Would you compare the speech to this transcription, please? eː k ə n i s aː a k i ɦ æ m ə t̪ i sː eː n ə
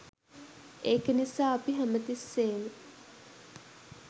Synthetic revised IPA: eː k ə n i s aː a p i ɦ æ m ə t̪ i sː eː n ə